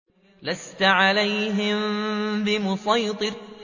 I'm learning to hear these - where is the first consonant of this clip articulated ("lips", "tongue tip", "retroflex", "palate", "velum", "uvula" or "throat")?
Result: tongue tip